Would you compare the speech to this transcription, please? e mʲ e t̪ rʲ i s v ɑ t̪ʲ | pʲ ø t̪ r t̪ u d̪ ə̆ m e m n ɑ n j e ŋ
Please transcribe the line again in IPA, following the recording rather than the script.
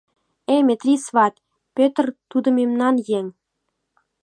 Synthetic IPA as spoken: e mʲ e t̪ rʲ i s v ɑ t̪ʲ | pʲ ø t̪ r t̪ u d̪ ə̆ m e m n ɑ n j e ŋ

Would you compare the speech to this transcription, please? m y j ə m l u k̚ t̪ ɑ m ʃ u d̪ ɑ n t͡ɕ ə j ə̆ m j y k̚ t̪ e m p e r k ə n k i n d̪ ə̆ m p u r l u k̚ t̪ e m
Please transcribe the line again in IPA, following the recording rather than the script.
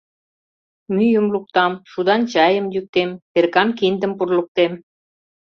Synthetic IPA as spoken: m y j ə m l u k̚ t̪ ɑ m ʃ u d̪ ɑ n t͡ɕ ɑ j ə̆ m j y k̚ t̪ e m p e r k ɑ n k i n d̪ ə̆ m p u r l u k̚ t̪ e m

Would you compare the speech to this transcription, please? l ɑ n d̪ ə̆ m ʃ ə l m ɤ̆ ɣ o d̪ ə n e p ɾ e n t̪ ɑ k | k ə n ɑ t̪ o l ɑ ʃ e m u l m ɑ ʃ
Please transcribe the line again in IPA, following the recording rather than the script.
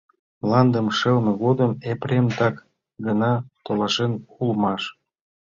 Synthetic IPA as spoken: l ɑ n d̪ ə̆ m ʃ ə l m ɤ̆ ɣ o d̪ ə m e p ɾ e m t̪ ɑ k | ɡ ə n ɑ t̪ o l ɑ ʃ e n u l m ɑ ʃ

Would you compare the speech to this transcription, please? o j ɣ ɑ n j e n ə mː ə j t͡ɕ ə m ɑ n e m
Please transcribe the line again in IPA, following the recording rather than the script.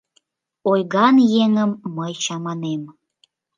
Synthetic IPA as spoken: o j ɣ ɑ n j e ŋ ə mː ə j t͡ɕ ɑ m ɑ n e m

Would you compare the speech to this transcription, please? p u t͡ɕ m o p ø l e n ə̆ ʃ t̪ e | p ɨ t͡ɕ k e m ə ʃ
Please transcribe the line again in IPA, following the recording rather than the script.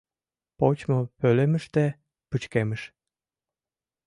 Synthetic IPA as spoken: p o t͡ɕ m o p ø l e m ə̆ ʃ t̪ e | p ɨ t͡ɕ k e m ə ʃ

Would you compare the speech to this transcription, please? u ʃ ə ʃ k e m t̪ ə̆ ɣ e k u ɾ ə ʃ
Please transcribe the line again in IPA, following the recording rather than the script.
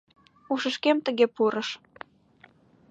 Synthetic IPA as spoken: u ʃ ə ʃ k e m t̪ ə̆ ɣ e p u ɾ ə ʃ

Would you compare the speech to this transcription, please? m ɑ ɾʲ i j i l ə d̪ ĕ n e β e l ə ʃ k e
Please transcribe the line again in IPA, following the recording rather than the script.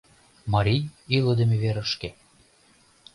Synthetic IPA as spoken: m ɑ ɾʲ i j i l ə d̪ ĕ m e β e ɾ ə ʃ k e

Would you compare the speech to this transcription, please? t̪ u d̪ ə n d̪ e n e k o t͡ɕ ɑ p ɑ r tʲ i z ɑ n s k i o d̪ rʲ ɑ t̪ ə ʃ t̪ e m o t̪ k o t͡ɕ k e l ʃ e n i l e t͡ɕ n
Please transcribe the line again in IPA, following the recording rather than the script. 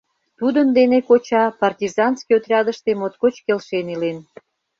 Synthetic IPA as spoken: t̪ u d̪ ə n d̪ e n e k o t͡ɕ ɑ p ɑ r tʲ i z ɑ n s k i o t̪ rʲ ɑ d̪ ə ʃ t̪ e m o t̪ k o t͡ɕ k e l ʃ e n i l e n

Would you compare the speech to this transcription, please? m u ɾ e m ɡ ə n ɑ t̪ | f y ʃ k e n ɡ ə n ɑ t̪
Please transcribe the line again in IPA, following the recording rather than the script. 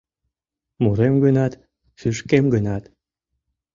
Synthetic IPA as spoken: m u ɾ e m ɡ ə n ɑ t̪ | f y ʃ k e m ɡ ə n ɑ t̪

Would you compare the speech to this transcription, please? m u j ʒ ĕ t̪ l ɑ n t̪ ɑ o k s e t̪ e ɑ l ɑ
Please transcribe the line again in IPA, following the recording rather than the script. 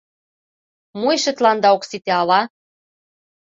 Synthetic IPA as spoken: m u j ʃ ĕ t̪ l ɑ n d̪ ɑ o k s i t̪ e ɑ l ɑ

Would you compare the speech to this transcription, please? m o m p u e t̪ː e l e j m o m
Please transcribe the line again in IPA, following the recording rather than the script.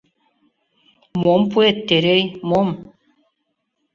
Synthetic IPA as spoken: m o m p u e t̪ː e ɾ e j m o m

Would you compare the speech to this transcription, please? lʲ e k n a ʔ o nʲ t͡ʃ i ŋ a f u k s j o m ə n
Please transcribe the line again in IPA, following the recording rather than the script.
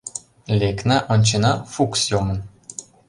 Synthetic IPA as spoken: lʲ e k n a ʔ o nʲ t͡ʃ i n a f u k s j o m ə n

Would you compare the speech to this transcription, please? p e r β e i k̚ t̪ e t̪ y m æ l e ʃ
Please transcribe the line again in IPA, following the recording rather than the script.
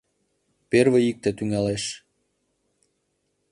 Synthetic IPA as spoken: p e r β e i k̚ t̪ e t̪ y ŋ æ l e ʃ

